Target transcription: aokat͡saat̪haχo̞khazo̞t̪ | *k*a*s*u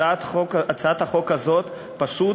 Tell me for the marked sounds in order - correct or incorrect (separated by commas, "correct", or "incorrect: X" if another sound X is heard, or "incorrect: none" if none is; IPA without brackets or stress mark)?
incorrect: p, incorrect: ʃ